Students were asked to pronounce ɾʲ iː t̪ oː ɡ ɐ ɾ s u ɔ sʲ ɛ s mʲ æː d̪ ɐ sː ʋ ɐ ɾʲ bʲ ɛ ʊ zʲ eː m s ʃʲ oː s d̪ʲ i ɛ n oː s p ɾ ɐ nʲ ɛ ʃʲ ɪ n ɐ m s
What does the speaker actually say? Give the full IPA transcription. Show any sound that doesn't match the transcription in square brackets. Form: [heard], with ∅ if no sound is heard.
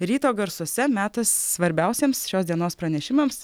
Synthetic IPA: ɾʲ iː t̪ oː ɡ ɐ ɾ s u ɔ sʲ ɛ [∅] mʲ æː [t̪] ɐ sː ʋ ɐ ɾʲ bʲ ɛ ʊ [sʲ] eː m s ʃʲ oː s d̪ʲ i ɛ n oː s p ɾ ɐ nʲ ɛ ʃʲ ɪ [m] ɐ m s